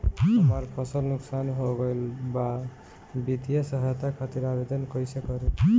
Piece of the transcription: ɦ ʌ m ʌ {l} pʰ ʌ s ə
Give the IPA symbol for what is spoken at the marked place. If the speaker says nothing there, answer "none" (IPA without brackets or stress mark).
ɾ